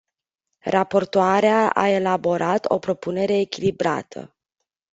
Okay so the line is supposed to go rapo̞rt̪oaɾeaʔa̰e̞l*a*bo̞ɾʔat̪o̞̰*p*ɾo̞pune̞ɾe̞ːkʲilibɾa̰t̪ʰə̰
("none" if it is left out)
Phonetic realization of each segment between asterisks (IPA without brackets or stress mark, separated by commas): a, p